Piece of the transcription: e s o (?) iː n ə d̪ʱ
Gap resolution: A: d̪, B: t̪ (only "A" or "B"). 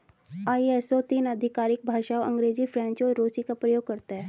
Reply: B